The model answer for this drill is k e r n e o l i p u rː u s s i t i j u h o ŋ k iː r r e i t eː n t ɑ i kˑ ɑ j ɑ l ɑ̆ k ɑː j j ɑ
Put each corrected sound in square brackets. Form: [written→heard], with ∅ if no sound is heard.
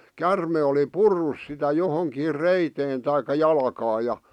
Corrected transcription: k [e→æ] r [n→m] e o l i p u rː u s s i t [i→æ] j [u→o] h o ŋ k iː r r e i t eː n t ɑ i kˑ ɑ j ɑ l ɑ̆ k ɑː j j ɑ

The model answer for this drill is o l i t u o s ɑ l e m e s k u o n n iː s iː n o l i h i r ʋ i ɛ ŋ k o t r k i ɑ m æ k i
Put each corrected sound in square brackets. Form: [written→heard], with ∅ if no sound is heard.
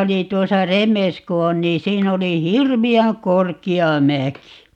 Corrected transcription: o l i t u o s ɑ [l→r] e m e s k u o n n iː s iː n o l i h i r ʋ i [ɛ→æ] ŋ k o [t→∅] r k i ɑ m æ k i

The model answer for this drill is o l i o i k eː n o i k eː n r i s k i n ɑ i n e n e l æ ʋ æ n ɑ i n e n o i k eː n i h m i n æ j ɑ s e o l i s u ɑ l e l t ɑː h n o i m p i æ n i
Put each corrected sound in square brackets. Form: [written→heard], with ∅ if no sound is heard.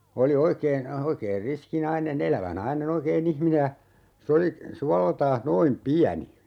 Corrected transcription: o l i o i k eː n o i k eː n r i s k i n ɑ i n e n e l æ ʋ æ n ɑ i n e n o i k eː n i h m i n [æ→e] j ɑ s e o l i s u ɑ l e l t ɑː h n o i m p i æ n i

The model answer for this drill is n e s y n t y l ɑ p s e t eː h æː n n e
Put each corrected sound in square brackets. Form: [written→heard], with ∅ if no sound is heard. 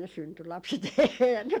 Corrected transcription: n e s y n t y l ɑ p s e t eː h [æː→æ] n n e

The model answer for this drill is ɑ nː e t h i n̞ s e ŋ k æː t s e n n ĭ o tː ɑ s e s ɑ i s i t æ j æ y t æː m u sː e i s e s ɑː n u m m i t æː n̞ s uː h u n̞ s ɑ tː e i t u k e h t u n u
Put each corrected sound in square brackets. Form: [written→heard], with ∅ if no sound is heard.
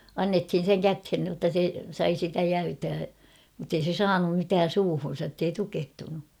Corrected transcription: ɑ nː e t h i n̞ s e ŋ k [æː→æ] t [s→h] e n n ĭ o tː ɑ s e s ɑ i s i t æ j æ y t æː m u [sː→tː] e i s e s ɑː n u m m i t æː n̞ s uː h u n̞ s ɑ tː e i t u k e h t u n u

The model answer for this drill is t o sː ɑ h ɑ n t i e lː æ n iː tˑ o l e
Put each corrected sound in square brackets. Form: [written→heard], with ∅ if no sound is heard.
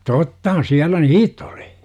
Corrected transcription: t o [sː→tː] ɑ h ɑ n [t→s] i [e→æ] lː æ n iː tˑ o l [e→i]

